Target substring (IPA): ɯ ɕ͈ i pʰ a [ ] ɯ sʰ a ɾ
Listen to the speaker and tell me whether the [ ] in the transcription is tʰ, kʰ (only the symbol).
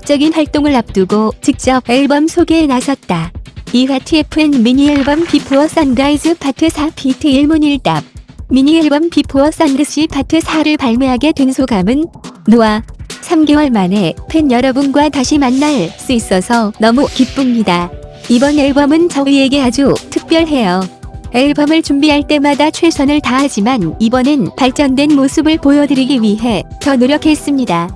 tʰ